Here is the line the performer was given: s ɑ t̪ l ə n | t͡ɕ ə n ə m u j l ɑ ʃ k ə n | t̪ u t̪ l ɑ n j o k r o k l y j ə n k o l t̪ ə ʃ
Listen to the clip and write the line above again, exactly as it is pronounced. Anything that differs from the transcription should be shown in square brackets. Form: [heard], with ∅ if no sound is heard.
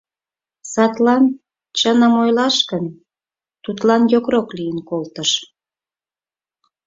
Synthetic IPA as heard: s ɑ t̪ l [ɑ] n | t͡ɕ ə n ə m [o] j l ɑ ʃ k ə n | t̪ u t̪ l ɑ n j o k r o k l [i] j ə n k o l t̪ ə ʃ

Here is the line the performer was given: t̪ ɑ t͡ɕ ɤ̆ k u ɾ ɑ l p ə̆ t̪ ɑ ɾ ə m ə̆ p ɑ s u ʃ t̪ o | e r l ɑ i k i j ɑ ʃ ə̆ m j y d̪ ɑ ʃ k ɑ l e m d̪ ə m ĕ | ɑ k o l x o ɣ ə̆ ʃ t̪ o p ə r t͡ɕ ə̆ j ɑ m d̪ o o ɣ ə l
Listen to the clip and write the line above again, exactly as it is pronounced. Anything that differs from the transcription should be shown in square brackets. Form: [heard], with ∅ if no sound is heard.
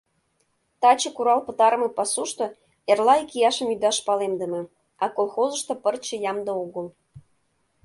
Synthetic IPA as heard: t̪ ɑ t͡ɕ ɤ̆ k u ɾ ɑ l p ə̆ t̪ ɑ ɾ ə m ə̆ p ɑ s u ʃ t̪ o | e r l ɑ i k i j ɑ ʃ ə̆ m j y d̪ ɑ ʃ [p] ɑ l e m d̪ ə m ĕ | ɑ k o l x o [z] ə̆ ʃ t̪ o p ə r t͡ɕ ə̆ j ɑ m d̪ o o ɣ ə l

